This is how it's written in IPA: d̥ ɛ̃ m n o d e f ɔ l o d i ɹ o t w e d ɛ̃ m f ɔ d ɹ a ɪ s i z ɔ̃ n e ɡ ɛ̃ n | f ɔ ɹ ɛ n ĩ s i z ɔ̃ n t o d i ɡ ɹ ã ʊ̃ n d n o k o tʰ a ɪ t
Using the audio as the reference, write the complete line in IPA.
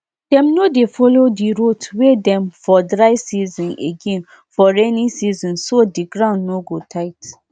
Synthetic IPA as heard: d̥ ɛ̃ m n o d e f ɔ l o d i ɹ o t w e d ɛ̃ m f ɔ d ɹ a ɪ s i z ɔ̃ n e ɡ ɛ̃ n | f ɔ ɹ ɛ n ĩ s i z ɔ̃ n s o d i ɡ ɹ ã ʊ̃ n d n o ɡ o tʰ a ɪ t